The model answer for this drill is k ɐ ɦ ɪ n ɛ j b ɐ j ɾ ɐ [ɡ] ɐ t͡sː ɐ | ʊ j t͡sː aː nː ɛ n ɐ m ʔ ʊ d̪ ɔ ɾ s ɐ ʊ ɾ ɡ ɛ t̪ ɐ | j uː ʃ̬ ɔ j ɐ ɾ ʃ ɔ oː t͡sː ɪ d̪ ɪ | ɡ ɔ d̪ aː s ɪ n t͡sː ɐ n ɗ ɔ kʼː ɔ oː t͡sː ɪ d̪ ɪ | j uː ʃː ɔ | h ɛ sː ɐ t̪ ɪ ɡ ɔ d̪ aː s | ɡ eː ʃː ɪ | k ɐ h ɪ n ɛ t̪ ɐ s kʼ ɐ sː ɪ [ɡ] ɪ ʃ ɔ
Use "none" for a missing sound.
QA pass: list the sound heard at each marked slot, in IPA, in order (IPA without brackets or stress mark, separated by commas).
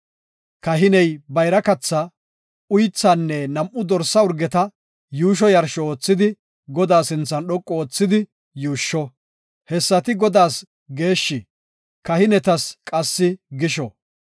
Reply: k, ɡ